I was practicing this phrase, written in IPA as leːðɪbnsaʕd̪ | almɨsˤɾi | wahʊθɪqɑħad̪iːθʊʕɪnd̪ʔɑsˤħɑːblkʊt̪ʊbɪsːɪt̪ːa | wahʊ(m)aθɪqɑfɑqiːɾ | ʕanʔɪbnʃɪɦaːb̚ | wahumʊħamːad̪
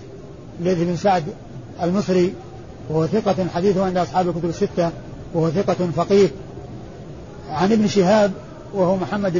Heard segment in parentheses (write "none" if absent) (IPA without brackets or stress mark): none